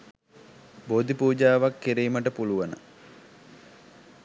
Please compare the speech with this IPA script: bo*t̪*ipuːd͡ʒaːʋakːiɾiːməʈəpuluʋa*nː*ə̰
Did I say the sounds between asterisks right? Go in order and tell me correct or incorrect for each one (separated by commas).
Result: incorrect, incorrect